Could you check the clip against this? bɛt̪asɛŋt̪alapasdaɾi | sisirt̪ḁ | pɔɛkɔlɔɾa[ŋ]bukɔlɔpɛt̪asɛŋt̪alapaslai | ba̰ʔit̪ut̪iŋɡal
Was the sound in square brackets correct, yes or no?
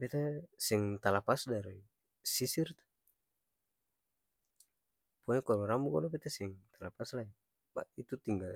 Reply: no